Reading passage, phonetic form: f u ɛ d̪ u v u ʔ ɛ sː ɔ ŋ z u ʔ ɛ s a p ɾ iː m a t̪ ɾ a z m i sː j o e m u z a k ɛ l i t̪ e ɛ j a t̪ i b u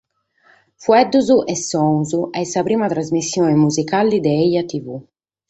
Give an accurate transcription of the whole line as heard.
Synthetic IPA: f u ɛ d̪ u z u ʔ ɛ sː ɔ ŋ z u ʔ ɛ s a p ɾ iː m a t̪ ɾ a z m i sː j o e m u z i k a l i d̪ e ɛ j a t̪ i v u